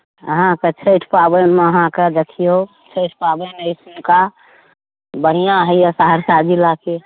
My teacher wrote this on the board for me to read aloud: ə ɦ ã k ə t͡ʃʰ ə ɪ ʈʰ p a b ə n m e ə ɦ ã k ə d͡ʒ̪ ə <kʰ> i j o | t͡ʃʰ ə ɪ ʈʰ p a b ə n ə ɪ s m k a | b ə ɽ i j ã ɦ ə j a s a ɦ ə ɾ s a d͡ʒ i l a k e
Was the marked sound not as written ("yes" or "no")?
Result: no